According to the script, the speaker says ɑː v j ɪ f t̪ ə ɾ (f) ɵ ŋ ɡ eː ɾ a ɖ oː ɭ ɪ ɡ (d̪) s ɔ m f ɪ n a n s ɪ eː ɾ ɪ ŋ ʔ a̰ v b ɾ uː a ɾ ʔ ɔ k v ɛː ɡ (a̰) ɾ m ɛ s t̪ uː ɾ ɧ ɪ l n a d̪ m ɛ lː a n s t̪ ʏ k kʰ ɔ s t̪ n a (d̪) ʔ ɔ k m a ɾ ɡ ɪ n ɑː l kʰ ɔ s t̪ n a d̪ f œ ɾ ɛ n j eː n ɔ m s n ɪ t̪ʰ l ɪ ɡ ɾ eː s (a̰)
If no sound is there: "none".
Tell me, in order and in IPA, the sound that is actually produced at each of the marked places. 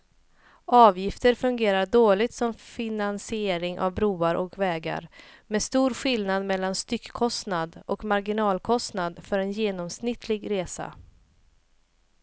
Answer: f, t̪, a̰, d̪, a̰

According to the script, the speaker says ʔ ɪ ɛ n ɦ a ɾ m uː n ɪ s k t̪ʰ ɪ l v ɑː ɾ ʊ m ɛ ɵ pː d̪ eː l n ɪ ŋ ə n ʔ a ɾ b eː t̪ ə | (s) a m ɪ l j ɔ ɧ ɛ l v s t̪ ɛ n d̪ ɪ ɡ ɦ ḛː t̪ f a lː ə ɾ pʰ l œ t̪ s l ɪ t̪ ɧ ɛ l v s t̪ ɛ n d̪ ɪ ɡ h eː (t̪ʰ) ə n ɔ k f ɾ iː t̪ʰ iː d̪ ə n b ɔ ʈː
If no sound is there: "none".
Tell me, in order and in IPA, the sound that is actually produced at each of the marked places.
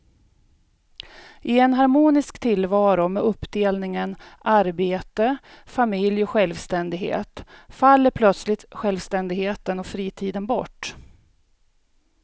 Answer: f, t̪

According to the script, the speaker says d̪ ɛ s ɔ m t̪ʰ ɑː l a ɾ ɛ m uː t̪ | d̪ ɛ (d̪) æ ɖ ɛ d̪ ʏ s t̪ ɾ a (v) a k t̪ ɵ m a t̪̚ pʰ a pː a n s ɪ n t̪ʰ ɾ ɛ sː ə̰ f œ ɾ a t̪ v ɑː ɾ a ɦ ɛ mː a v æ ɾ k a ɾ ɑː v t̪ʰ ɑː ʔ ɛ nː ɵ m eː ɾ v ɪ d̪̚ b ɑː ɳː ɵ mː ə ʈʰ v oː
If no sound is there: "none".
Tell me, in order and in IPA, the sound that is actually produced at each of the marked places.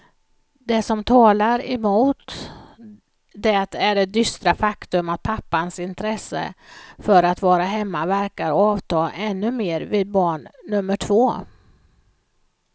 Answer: t̪, f

